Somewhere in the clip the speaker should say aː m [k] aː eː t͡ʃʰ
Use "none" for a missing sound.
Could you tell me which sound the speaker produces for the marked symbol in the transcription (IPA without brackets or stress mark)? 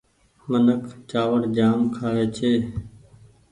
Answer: kʰ